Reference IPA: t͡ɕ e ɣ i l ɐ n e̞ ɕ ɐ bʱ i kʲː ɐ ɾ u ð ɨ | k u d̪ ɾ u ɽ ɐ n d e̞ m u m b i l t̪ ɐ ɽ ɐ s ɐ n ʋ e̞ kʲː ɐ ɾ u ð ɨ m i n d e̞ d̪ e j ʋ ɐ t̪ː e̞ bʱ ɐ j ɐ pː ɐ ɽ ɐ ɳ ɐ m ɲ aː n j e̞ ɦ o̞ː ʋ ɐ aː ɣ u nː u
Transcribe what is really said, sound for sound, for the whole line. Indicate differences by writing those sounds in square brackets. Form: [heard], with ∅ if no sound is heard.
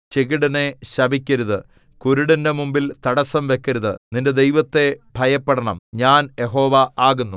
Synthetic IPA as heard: t͡ɕ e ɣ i [ɽ] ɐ n e̞ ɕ ɐ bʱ i kʲː ɐ ɾ u ð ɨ | k u [∅] ɾ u ɽ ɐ n d e̞ m u m b i l t̪ ɐ ɽ ɐ s ɐ [m] ʋ e̞ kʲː ɐ ɾ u ð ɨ [n] i n d e̞ d̪ e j ʋ ɐ t̪ː e̞ bʱ ɐ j ɐ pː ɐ ɽ ɐ ɳ ɐ m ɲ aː n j e̞ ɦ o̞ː ʋ ɐ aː ɣ u nː u